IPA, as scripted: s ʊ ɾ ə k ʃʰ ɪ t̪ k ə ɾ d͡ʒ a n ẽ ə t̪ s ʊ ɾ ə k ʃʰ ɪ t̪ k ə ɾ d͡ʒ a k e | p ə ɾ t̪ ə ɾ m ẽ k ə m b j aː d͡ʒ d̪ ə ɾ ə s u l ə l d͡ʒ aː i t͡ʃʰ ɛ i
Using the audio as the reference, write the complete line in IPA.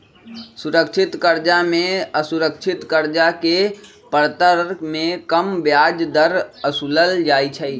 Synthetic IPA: s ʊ ɾ ə k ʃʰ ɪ t̪ k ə ɾ d͡ʒ a m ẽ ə s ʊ ɾ ə k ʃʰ ɪ t̪ k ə ɾ d͡ʒ a k e | p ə ɾ t̪ ə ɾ m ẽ k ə m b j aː d͡ʒ d̪ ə ɾ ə s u l ə l d͡ʒ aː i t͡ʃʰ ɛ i